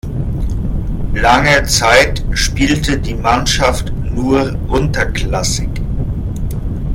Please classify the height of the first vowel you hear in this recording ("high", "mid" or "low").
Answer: low